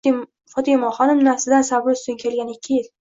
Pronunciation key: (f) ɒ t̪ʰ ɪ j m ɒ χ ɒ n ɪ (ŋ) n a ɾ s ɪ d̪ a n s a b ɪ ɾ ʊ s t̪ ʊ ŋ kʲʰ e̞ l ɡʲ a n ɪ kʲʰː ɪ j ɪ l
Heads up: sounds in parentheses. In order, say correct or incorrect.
correct, incorrect: m

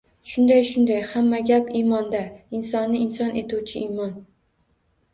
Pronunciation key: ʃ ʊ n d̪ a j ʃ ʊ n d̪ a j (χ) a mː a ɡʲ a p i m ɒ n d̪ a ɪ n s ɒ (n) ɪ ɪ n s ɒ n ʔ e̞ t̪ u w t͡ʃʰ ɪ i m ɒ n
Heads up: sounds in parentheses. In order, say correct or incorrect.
incorrect: h, incorrect: nː

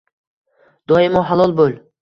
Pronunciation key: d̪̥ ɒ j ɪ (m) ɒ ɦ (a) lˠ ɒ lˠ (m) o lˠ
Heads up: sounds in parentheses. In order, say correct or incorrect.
correct, correct, incorrect: b

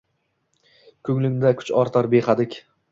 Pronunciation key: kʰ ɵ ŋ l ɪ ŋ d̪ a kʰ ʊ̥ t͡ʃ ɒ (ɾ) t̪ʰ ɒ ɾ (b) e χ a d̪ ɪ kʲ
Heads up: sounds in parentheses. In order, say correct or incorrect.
correct, correct

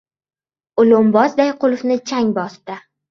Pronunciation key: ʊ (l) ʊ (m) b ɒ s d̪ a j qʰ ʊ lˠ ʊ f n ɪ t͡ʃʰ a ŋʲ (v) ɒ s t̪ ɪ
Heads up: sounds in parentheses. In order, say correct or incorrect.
correct, correct, incorrect: b

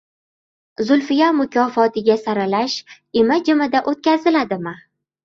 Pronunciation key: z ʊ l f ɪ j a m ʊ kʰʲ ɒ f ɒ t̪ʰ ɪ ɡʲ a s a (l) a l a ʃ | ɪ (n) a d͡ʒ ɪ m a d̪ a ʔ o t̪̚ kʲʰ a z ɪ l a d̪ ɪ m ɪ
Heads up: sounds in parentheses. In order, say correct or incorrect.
incorrect: ɾ, incorrect: m

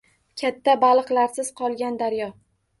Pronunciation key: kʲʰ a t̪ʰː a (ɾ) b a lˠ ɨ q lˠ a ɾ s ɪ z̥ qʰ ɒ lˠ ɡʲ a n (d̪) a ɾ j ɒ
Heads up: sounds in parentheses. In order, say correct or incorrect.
incorrect: none, correct

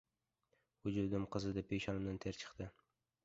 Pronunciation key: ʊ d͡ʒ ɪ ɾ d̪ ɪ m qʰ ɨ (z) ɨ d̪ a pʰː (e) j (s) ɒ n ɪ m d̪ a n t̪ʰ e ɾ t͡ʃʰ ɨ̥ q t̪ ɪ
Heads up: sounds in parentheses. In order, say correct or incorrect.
correct, correct, incorrect: ʃ

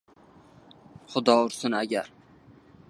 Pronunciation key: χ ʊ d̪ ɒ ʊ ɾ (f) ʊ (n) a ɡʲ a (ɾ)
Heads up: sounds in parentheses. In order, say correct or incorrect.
incorrect: s, correct, correct

